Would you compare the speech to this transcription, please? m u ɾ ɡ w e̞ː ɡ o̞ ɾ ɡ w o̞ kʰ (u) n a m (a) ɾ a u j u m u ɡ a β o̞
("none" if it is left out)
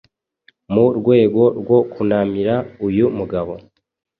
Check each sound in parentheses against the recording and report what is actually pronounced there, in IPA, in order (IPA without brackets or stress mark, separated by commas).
u, i